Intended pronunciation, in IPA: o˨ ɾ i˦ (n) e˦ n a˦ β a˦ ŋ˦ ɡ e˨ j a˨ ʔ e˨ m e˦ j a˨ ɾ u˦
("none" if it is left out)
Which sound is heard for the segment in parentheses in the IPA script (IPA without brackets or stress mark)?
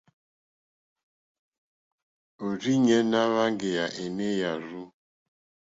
ɲ